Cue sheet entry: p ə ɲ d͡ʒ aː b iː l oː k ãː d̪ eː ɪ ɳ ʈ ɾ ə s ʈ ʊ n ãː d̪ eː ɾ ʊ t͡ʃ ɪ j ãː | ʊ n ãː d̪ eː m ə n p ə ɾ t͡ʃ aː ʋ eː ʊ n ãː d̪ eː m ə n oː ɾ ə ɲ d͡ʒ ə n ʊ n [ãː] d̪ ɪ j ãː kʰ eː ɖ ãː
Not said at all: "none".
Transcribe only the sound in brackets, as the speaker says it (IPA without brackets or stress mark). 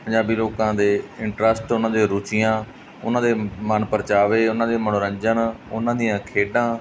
ãː